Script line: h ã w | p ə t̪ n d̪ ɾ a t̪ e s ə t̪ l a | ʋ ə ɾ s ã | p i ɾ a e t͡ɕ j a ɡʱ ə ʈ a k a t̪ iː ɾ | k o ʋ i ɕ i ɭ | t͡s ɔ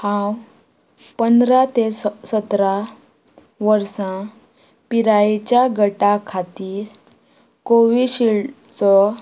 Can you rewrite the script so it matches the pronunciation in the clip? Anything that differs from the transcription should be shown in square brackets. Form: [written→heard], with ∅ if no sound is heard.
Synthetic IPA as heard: h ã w | p ə [t̪→∅] n d̪ ɾ a t̪ e s ə t̪ [l→ɾ] a | ʋ ə ɾ s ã | p i ɾ a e t͡ɕ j a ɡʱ ə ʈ a [k→kʰ] a t̪ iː ɾ | k o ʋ i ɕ i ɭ | t͡s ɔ